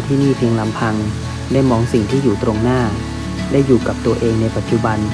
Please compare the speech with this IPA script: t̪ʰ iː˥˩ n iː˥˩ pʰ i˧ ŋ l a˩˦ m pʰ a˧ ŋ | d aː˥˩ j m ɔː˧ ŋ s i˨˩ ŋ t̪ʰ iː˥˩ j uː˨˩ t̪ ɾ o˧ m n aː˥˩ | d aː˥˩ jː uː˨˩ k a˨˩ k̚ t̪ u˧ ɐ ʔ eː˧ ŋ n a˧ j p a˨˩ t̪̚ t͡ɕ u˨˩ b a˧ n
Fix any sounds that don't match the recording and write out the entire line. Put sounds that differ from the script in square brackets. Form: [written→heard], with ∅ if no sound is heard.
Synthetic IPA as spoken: t̪ʰ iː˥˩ n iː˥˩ pʰ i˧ ŋ l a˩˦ m pʰ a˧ ŋ | d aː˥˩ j m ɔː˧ ŋ s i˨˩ ŋ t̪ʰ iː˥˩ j uː˨˩ t̪ ɾ o˧ [m→ŋ] n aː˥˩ | d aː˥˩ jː uː˨˩ k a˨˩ [k̚→p̚] t̪ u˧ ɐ ʔ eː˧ ŋ n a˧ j p a˨˩ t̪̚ t͡ɕ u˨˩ b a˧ n